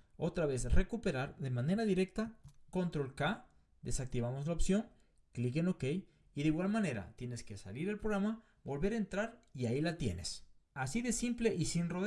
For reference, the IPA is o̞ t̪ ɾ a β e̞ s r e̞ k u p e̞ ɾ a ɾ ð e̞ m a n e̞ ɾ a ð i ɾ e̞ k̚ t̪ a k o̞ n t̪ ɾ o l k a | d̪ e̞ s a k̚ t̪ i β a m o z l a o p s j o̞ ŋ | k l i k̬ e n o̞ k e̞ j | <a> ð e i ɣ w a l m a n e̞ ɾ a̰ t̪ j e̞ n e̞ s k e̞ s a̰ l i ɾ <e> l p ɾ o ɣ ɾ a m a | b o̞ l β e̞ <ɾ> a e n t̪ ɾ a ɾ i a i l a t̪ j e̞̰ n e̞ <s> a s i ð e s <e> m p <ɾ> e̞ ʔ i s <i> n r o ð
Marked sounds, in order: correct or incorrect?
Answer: incorrect: i, correct, correct, correct, incorrect: i, incorrect: l, correct

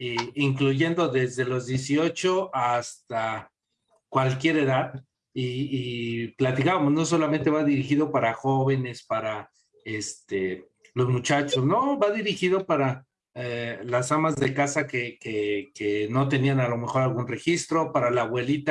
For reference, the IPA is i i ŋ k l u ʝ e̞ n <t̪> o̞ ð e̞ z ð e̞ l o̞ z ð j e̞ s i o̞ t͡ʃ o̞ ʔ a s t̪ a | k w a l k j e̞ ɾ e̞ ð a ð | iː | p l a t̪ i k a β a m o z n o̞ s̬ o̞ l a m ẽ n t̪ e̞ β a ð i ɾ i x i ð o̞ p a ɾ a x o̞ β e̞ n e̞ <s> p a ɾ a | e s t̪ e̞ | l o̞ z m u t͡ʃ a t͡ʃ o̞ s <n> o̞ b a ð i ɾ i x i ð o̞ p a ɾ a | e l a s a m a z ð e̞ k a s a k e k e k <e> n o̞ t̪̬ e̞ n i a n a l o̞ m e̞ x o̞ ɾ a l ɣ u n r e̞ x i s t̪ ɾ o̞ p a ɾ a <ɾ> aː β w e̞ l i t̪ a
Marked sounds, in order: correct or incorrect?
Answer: incorrect: d̪, correct, correct, correct, incorrect: l

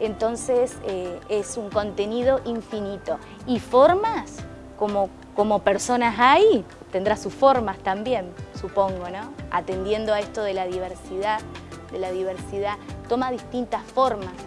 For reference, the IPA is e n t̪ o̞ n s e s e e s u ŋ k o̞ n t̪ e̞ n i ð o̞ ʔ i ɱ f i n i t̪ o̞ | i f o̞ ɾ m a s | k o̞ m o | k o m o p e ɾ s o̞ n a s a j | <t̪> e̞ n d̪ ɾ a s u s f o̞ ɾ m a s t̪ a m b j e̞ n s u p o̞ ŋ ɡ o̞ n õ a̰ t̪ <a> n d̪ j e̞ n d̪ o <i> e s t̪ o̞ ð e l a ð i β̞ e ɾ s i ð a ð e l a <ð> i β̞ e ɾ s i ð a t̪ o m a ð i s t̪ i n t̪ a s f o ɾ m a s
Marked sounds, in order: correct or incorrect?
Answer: correct, incorrect: e, incorrect: a, correct

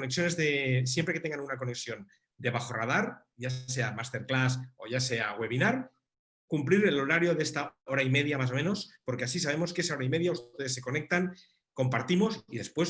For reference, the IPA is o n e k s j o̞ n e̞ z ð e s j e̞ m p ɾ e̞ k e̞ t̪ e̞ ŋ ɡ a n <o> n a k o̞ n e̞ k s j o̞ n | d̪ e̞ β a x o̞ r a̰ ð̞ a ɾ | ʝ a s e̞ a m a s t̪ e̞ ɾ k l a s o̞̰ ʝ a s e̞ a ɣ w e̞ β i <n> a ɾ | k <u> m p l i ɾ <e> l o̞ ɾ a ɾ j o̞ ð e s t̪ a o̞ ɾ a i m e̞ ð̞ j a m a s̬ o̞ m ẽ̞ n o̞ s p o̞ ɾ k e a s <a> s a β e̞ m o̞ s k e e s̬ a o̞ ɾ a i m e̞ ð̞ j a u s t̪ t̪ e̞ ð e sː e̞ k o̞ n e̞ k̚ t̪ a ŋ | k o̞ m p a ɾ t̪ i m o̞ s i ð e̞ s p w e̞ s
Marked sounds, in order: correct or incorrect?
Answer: incorrect: u, correct, correct, correct, incorrect: i

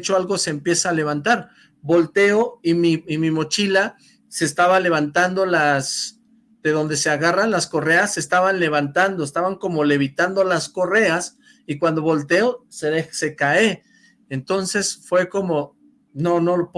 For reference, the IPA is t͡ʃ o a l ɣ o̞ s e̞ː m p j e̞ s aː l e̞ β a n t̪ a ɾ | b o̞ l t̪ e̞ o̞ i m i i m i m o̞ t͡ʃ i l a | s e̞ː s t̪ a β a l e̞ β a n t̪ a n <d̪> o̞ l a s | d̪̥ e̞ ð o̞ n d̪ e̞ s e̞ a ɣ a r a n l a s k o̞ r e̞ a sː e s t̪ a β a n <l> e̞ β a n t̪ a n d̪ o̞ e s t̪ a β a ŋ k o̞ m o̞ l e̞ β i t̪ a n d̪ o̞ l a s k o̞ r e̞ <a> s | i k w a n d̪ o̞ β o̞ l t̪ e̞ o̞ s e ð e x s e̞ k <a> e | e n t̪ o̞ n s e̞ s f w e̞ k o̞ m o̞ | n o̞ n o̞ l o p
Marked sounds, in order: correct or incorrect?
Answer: correct, correct, correct, correct

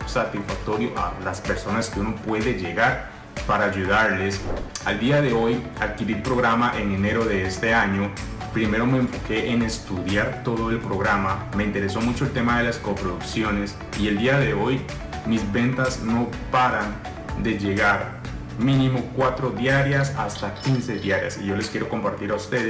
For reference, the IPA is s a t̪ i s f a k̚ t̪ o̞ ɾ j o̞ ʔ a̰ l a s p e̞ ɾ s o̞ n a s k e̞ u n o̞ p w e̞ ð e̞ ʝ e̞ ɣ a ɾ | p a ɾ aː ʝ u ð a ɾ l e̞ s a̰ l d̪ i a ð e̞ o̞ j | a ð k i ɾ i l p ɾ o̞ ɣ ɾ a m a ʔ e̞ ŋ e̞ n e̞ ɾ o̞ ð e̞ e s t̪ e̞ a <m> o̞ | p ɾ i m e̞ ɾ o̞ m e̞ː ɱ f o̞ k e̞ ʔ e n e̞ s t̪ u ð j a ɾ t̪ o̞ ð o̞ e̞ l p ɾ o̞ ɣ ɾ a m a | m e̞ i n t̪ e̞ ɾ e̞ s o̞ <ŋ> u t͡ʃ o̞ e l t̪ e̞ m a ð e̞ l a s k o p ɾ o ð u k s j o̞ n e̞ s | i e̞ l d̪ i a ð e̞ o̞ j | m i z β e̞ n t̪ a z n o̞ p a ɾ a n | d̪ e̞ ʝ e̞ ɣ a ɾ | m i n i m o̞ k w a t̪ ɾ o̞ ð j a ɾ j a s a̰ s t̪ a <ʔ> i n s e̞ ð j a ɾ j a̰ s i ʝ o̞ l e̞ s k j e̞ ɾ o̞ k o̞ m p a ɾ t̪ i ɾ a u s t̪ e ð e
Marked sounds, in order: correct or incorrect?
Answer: incorrect: ɲ, incorrect: m, incorrect: k

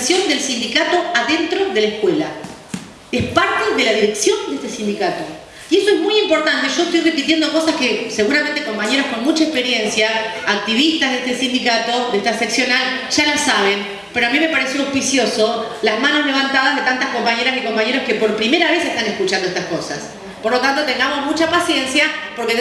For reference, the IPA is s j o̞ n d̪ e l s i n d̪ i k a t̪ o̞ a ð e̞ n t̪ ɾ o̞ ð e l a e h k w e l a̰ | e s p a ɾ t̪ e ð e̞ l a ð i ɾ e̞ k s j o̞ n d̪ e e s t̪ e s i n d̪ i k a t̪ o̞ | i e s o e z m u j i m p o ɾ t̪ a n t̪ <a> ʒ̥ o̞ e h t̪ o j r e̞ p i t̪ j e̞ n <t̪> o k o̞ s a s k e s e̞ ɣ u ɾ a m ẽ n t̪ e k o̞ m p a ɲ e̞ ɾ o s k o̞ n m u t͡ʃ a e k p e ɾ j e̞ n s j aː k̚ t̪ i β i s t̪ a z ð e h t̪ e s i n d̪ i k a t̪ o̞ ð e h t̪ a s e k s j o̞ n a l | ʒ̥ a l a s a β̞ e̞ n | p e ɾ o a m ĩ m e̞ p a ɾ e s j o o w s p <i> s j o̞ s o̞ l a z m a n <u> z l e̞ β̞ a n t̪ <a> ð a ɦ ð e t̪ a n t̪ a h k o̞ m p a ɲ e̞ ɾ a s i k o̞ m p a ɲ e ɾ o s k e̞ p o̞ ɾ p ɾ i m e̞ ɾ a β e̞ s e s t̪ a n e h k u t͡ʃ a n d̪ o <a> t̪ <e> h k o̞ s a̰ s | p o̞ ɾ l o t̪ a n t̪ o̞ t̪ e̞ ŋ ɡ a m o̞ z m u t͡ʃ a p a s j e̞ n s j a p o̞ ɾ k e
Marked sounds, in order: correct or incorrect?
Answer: incorrect: e, incorrect: d̪, correct, incorrect: o, correct, incorrect: e, incorrect: a

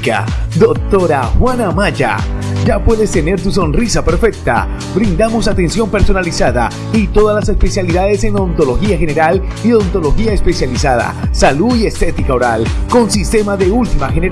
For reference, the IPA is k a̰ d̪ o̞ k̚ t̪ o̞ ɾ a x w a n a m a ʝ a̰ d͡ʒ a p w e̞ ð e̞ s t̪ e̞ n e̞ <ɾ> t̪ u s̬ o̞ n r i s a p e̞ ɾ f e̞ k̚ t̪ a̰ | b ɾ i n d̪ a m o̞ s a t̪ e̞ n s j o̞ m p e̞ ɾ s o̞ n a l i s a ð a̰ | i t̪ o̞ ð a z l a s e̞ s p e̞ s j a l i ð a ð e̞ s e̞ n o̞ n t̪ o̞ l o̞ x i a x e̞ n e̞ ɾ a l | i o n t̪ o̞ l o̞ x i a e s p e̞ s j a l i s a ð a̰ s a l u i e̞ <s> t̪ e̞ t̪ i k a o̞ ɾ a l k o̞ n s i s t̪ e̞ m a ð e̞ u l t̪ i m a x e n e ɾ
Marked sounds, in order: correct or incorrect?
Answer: correct, correct

